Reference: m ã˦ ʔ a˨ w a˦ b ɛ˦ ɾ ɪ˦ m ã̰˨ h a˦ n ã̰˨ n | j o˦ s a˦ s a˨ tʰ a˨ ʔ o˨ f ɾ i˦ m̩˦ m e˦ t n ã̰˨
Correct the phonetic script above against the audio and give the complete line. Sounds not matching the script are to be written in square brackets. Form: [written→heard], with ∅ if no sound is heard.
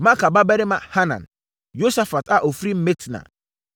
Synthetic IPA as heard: m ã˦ [ʔ→k] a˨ [w→b] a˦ b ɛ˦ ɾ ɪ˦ m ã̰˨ h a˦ n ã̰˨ n | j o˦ s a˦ [s→f] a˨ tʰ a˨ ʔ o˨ f ɾ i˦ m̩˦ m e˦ t n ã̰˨